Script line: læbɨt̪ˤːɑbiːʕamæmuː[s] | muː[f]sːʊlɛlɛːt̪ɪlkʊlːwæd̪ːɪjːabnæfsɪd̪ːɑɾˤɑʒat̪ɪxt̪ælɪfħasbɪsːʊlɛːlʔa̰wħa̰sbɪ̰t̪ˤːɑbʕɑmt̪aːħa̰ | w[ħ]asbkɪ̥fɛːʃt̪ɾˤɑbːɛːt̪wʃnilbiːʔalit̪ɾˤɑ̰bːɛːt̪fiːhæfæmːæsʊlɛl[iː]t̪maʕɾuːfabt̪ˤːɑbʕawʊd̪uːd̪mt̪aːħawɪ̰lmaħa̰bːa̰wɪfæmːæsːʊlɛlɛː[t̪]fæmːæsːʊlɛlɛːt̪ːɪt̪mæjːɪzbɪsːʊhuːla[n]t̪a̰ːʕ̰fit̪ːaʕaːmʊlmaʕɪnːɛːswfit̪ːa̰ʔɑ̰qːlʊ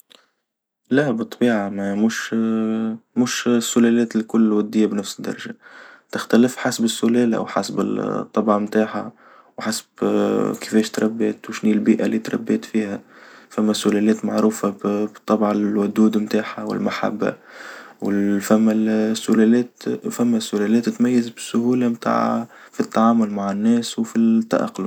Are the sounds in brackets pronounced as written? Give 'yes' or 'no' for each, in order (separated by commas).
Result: no, no, yes, no, yes, no